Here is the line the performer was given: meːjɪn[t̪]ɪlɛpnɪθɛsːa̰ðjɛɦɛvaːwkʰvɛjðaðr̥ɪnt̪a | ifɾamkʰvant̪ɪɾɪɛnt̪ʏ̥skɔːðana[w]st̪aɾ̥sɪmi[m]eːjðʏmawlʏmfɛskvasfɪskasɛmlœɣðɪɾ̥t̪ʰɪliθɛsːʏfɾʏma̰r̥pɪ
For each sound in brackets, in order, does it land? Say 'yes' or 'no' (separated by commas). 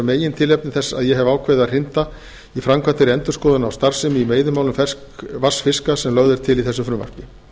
no, yes, yes